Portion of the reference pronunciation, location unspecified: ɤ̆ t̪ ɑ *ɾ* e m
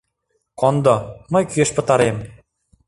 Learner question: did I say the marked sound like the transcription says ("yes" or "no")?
yes